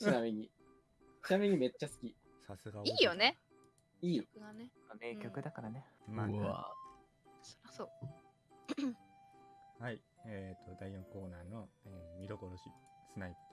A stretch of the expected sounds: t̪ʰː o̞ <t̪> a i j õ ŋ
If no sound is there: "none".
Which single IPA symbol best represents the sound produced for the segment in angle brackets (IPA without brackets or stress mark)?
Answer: d̪